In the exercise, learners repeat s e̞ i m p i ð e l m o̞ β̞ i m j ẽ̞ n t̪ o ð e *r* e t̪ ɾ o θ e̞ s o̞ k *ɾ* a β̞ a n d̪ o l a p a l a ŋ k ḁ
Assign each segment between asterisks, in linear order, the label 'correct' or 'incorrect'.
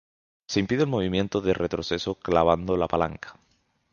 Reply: correct, incorrect: l

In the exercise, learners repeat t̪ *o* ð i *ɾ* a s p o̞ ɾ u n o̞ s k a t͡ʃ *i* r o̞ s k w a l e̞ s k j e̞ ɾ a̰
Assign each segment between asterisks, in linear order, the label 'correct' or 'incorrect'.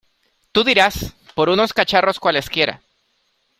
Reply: incorrect: u, correct, incorrect: a

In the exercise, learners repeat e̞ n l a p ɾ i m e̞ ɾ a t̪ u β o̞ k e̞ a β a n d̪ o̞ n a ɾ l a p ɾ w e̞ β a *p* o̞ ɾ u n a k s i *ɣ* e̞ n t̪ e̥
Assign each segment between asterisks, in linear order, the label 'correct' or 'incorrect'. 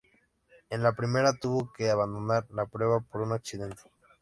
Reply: correct, incorrect: ð

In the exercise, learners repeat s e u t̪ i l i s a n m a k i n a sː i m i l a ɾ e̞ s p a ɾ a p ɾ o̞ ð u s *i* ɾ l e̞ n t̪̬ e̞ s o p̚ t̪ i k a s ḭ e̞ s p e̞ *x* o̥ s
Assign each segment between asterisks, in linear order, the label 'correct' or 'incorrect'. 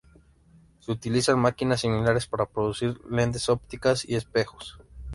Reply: correct, correct

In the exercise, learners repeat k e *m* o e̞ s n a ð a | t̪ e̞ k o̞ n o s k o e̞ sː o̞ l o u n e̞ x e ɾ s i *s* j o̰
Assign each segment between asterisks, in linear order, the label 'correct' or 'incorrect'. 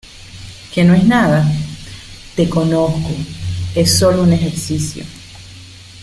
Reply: incorrect: n, correct

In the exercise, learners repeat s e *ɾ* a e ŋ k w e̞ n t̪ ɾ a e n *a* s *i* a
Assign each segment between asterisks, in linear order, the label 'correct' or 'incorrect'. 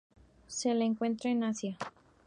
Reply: incorrect: l, correct, incorrect: j

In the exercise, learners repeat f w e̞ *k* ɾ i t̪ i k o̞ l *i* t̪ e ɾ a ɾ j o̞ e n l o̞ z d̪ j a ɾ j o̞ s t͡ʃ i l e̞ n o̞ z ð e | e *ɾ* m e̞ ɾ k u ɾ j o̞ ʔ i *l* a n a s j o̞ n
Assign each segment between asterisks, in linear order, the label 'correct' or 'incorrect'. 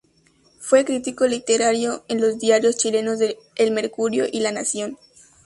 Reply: correct, correct, incorrect: l, correct

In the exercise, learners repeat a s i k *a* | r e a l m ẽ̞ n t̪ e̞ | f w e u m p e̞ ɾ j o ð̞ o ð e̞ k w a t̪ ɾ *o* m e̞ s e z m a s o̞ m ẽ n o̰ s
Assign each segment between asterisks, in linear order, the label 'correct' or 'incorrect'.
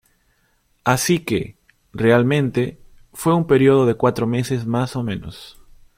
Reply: incorrect: e, correct

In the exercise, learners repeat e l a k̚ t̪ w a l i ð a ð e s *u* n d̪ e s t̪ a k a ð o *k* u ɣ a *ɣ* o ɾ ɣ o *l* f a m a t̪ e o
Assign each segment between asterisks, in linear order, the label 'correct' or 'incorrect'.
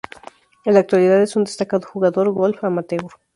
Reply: correct, incorrect: x, incorrect: ð, correct

